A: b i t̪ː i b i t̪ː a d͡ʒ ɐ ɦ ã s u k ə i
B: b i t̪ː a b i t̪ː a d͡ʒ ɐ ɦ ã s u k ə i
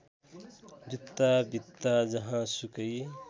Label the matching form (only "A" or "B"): B